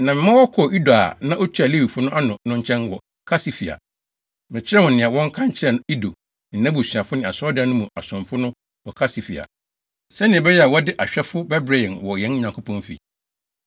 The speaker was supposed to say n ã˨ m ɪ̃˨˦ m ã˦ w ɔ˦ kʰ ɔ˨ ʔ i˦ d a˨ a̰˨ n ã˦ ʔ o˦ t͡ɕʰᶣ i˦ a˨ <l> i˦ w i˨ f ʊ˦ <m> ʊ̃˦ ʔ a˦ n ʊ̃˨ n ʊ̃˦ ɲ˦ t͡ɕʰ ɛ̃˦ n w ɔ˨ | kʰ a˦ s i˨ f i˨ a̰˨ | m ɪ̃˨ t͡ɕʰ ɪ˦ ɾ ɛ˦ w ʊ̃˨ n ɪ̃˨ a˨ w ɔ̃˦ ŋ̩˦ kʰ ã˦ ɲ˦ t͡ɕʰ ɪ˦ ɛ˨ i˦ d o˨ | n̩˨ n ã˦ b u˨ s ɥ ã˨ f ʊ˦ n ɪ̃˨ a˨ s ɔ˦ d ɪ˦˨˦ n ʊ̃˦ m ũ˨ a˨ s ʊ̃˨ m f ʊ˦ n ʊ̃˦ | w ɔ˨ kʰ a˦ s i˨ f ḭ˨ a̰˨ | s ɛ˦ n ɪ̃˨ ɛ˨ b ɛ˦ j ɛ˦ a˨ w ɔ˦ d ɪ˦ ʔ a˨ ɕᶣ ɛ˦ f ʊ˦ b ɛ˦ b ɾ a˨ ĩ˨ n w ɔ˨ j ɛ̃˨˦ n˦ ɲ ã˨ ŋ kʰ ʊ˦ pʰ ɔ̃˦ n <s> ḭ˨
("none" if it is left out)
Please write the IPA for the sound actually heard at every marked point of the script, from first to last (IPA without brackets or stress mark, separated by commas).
l, n, f